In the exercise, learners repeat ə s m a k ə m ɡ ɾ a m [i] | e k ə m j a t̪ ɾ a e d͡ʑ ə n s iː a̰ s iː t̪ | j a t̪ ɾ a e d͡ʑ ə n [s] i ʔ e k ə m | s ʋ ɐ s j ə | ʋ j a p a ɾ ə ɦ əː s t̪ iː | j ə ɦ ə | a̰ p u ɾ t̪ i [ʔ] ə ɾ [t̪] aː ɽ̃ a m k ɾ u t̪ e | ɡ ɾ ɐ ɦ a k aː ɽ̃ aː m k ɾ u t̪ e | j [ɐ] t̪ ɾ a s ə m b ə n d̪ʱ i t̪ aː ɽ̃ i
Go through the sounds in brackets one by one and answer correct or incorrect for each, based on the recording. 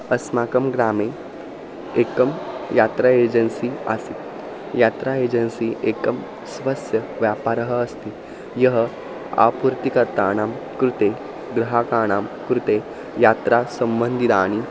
incorrect: e, correct, incorrect: k, correct, incorrect: a

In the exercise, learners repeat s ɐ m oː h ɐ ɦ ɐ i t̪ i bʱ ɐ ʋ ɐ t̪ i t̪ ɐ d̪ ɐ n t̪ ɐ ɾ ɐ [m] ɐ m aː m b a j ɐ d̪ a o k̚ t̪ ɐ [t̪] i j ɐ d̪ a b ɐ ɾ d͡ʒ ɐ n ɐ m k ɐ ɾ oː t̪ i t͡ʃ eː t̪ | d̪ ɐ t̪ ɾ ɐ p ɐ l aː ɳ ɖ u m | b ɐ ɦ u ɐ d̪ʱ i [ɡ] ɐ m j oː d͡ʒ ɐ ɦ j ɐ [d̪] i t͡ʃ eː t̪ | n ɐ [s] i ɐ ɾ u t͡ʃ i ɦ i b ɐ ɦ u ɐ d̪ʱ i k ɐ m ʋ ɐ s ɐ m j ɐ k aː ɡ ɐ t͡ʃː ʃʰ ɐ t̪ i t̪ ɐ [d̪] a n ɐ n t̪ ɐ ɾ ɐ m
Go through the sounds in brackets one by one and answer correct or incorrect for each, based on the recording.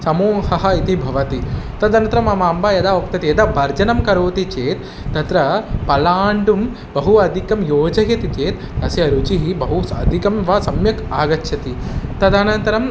correct, correct, incorrect: k, incorrect: t̪, correct, correct

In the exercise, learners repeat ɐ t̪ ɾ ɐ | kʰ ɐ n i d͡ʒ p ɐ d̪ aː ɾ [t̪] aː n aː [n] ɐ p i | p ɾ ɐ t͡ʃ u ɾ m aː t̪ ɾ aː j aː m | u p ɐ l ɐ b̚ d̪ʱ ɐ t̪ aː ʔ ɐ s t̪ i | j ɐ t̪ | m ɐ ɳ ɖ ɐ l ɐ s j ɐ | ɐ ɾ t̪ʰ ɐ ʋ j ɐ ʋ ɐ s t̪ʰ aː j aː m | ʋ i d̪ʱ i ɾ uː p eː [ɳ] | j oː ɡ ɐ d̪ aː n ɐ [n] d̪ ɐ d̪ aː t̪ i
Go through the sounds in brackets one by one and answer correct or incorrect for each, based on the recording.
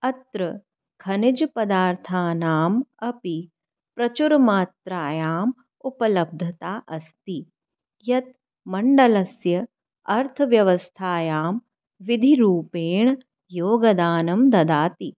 incorrect: t̪ʰ, incorrect: m, correct, incorrect: m

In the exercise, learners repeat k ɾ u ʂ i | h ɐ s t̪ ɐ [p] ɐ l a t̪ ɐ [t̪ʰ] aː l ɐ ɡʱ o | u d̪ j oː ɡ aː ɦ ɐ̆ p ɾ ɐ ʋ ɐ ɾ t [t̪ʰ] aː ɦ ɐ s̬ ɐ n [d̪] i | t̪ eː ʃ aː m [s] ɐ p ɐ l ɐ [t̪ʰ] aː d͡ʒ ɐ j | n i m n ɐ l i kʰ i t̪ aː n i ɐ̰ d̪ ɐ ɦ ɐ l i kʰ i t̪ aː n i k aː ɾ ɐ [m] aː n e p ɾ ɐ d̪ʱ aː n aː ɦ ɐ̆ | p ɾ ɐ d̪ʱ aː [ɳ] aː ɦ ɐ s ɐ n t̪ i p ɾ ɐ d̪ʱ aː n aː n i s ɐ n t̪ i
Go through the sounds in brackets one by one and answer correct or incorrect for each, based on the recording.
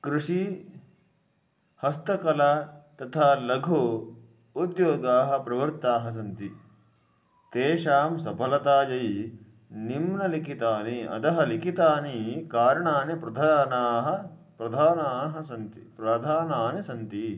incorrect: k, correct, incorrect: t̪, incorrect: t̪, correct, incorrect: t̪, incorrect: ɳ, incorrect: n

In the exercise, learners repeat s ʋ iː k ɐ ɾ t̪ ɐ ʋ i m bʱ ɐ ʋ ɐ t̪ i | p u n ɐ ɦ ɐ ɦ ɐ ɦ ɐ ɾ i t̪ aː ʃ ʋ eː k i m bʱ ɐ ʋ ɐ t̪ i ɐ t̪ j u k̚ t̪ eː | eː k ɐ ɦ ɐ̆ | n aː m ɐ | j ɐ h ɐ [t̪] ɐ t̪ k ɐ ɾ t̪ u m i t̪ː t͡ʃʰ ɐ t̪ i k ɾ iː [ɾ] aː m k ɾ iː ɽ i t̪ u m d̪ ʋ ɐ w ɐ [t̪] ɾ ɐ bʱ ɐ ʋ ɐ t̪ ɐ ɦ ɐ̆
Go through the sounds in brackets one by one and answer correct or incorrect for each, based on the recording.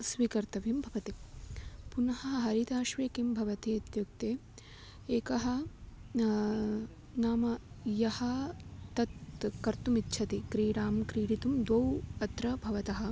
correct, incorrect: ɽ, correct

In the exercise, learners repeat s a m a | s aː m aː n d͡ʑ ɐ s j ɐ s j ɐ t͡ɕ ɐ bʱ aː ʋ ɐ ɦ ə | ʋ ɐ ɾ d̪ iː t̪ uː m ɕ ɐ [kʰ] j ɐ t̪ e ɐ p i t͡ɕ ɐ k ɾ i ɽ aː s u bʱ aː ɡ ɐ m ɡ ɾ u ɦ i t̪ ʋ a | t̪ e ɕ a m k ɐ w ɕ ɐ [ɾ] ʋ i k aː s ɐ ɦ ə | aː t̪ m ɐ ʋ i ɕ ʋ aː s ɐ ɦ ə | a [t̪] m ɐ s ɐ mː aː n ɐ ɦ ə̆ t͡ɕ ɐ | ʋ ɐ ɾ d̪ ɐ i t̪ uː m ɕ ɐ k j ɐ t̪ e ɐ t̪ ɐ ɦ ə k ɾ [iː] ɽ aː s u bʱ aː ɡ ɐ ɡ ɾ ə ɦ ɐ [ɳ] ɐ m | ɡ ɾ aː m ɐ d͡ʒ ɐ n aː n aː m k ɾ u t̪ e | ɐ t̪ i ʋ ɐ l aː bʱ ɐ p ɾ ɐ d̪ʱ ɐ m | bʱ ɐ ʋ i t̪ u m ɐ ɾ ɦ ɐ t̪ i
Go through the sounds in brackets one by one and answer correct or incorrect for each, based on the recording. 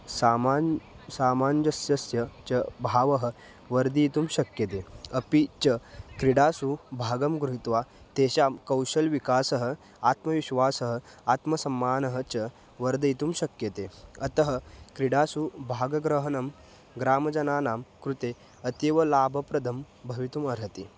incorrect: k, incorrect: l, correct, incorrect: i, incorrect: n

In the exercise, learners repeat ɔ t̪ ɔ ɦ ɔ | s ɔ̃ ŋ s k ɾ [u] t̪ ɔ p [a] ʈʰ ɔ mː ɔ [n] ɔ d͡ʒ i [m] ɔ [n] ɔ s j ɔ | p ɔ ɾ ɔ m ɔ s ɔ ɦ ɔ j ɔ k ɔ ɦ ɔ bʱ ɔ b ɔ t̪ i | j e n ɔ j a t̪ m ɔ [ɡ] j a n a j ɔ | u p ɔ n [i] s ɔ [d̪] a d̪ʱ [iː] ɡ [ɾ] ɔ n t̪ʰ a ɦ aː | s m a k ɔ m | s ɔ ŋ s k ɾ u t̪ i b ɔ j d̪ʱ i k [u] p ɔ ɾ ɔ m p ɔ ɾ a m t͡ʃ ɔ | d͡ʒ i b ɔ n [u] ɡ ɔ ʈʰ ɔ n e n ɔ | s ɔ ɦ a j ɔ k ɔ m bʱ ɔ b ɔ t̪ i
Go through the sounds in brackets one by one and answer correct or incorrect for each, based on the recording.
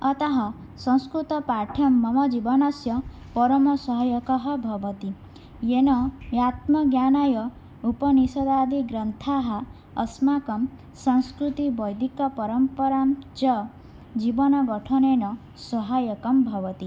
correct, correct, incorrect: m, incorrect: b, correct, correct, correct, correct, incorrect: i, correct, incorrect: ɔ, incorrect: ɔ

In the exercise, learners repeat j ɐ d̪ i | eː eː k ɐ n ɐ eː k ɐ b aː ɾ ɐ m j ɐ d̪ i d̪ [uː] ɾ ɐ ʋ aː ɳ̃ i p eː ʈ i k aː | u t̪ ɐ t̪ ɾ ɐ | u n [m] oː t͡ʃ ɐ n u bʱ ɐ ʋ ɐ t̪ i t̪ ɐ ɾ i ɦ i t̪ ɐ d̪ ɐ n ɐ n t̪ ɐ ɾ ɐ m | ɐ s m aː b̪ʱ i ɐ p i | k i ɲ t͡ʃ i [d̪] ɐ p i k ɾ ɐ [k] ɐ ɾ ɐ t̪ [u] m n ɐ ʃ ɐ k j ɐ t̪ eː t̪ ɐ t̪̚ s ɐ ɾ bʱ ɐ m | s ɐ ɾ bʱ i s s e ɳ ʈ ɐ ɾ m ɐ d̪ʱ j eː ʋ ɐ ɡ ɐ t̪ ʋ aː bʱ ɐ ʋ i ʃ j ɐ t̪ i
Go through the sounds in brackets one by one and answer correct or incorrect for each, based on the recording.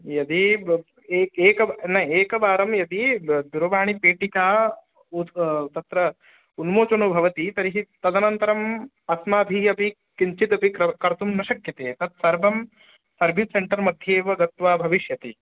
incorrect: u, correct, incorrect: t̪, correct, correct

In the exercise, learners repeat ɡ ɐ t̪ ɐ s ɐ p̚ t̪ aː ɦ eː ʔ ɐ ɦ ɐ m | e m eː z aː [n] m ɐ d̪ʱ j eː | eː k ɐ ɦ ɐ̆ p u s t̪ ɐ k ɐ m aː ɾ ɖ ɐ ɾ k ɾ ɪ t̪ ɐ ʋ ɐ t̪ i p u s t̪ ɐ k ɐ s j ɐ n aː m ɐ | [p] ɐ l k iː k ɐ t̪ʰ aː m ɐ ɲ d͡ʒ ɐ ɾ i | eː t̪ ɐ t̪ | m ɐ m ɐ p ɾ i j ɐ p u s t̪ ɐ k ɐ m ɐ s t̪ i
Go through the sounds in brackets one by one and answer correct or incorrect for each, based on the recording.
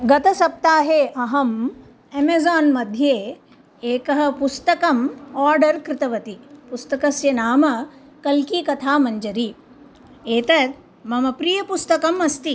correct, incorrect: k

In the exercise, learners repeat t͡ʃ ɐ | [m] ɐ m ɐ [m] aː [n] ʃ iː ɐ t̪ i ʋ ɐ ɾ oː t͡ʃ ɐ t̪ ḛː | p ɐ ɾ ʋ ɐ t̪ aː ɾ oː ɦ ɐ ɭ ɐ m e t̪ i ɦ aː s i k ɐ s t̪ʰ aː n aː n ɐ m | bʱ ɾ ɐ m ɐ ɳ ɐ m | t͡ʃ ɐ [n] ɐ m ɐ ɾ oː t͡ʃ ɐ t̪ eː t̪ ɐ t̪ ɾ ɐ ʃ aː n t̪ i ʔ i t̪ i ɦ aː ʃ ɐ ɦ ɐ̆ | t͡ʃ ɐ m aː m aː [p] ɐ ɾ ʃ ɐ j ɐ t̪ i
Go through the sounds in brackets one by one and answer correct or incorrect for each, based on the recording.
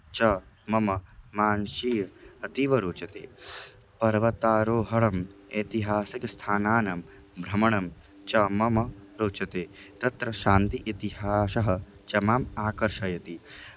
correct, correct, correct, incorrect: m, incorrect: k

